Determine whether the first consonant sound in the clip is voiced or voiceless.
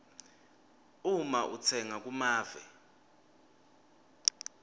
voiced